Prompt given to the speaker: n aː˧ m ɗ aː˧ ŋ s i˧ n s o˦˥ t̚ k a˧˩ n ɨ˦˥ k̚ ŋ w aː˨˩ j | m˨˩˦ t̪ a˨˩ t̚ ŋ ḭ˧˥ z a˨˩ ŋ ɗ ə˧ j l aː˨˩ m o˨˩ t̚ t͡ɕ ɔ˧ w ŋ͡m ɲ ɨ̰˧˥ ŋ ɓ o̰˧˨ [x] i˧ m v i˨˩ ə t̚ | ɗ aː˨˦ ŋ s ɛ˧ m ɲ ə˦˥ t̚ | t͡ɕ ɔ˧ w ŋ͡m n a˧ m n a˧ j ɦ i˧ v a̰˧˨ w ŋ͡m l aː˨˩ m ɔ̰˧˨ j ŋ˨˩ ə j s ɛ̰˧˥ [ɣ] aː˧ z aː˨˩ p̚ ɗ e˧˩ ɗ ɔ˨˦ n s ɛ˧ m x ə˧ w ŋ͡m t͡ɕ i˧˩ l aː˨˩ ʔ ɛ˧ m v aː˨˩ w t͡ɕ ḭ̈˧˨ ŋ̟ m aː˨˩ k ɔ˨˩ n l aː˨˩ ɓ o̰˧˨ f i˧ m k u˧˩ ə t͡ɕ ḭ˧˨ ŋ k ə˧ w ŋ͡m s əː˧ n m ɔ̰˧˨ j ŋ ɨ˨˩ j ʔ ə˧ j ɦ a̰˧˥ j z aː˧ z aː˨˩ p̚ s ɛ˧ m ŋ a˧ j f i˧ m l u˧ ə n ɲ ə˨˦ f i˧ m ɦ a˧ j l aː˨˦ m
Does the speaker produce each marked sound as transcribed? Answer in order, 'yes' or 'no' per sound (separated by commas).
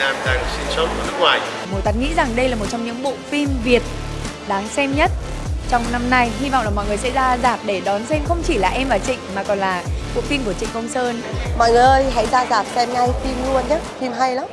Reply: no, no